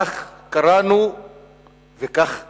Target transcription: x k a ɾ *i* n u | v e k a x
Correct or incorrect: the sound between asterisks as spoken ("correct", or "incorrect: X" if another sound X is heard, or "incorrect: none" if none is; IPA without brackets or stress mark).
incorrect: a